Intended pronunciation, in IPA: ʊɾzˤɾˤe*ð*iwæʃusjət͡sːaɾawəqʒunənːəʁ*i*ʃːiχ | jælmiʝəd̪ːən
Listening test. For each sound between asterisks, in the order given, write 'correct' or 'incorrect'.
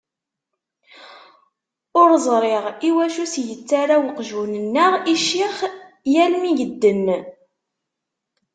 incorrect, correct

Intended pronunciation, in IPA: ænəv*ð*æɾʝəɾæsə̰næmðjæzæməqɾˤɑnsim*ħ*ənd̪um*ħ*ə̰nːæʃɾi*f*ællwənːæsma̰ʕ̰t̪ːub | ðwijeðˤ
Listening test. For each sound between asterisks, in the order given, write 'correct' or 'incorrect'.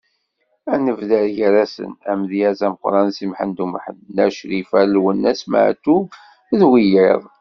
correct, correct, correct, correct

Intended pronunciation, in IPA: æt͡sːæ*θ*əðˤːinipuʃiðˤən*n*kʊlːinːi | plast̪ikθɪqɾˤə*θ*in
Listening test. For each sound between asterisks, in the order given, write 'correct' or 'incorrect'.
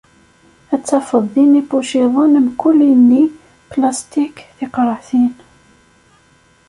incorrect, incorrect, correct

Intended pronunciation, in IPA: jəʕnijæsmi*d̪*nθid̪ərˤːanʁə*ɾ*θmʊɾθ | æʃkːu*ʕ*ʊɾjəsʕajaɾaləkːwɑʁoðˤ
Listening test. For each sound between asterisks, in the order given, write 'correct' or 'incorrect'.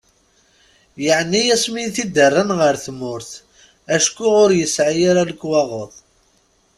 incorrect, correct, incorrect

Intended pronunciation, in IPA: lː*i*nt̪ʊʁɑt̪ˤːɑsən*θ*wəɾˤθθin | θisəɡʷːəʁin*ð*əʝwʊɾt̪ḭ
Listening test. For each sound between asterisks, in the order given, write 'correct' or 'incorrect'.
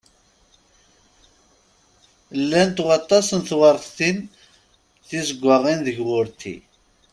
incorrect, correct, correct

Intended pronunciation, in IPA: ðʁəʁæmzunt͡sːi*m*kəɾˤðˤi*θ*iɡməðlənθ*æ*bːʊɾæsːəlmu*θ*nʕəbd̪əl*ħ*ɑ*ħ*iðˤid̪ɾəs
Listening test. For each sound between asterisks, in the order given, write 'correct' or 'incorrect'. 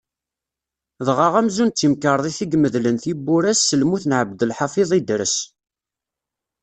correct, correct, incorrect, correct, correct, incorrect

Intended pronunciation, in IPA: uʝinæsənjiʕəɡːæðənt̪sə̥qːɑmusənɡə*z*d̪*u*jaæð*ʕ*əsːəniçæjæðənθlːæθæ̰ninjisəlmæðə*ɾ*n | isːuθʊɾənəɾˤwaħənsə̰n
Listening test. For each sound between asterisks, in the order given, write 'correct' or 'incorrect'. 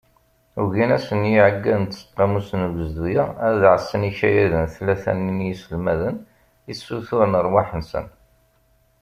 correct, correct, correct, incorrect

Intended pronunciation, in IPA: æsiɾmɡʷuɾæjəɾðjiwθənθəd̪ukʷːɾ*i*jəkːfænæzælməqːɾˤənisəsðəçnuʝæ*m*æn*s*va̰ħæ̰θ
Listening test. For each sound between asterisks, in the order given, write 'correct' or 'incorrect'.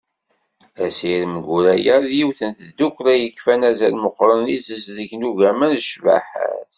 incorrect, correct, incorrect

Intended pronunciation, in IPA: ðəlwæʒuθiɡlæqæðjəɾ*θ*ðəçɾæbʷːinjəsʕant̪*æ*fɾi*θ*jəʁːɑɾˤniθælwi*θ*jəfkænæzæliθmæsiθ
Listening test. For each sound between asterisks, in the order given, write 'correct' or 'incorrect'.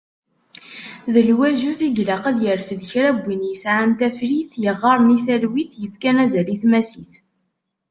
incorrect, correct, correct, correct

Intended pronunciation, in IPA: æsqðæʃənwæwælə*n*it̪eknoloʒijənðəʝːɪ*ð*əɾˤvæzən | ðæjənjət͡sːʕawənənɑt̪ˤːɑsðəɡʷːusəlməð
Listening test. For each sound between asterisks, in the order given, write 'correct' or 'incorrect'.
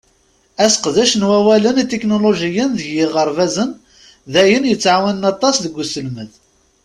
correct, incorrect

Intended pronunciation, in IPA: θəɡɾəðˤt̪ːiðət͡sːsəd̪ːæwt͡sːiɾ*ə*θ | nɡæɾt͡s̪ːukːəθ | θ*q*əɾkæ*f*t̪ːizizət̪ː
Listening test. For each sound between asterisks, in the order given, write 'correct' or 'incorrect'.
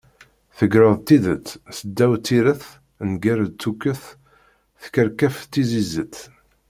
correct, incorrect, correct

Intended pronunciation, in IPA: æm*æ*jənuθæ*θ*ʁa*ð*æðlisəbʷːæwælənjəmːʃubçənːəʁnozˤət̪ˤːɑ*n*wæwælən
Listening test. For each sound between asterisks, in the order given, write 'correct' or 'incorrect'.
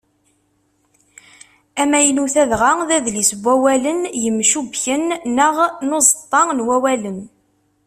correct, incorrect, correct, correct

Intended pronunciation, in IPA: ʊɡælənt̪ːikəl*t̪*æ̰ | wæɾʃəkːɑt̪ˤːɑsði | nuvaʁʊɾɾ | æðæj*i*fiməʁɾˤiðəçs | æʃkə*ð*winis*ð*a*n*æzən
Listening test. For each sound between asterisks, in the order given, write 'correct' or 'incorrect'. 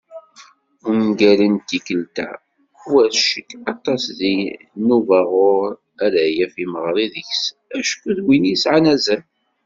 correct, incorrect, correct, incorrect, correct

